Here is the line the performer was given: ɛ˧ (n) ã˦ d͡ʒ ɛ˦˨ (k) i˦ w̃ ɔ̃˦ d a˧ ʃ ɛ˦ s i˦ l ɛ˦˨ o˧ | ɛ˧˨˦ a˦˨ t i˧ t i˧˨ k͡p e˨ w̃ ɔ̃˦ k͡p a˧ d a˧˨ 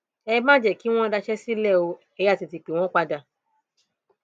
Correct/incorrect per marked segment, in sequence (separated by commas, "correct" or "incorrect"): incorrect, correct